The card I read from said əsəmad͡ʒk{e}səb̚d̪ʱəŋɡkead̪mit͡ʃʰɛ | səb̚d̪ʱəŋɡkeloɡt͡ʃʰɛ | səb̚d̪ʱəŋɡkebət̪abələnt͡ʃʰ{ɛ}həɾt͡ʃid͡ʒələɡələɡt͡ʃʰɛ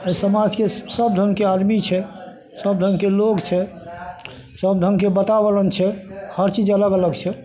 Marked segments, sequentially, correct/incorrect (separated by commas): correct, correct